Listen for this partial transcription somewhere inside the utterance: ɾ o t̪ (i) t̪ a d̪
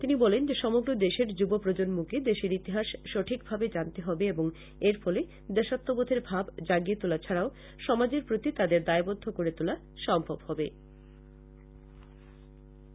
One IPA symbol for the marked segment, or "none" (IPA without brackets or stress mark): i